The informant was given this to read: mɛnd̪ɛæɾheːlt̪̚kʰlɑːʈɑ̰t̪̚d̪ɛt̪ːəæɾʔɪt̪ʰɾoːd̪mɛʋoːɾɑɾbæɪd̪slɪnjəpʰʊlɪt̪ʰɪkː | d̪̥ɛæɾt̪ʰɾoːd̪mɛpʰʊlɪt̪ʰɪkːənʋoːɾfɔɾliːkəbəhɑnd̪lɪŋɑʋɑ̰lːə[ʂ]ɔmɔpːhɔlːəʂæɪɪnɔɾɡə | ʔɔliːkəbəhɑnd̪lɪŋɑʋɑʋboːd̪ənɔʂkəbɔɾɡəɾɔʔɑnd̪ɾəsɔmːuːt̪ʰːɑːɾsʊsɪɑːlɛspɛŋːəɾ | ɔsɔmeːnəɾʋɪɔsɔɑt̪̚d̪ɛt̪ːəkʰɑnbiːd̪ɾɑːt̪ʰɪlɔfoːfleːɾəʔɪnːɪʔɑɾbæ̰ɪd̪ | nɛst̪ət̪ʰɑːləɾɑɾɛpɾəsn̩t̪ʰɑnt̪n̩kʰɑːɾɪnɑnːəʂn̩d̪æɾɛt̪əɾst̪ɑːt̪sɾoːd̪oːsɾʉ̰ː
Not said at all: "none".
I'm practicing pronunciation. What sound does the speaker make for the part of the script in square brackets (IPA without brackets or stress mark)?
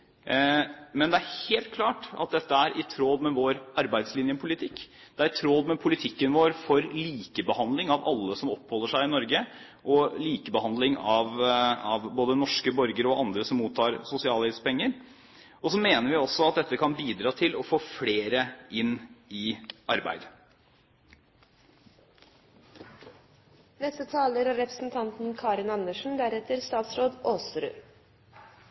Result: s